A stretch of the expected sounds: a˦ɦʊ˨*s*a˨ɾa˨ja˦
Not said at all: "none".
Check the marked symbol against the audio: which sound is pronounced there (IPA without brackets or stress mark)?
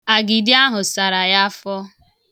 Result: s